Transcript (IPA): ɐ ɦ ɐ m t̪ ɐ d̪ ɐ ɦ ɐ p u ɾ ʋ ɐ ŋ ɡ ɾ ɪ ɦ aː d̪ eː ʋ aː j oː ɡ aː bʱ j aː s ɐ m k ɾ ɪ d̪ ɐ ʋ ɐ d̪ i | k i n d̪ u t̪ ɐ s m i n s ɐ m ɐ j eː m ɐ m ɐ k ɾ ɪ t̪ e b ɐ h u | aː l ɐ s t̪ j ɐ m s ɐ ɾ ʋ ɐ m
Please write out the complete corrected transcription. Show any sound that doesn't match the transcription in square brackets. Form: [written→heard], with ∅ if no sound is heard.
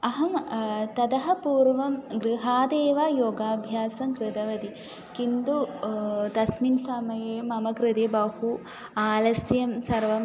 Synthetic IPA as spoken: ɐ ɦ ɐ m t̪ ɐ d̪ ɐ ɦ ɐ p [u→uː] ɾ ʋ ɐ [ŋ→m] ɡ ɾ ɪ ɦ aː d̪ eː ʋ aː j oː ɡ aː bʱ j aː s ɐ m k ɾ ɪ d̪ ɐ ʋ ɐ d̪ i | k i n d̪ u t̪ ɐ s m i n s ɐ m ɐ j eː m ɐ m ɐ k ɾ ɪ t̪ e b ɐ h u | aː l ɐ s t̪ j ɐ m s ɐ ɾ ʋ ɐ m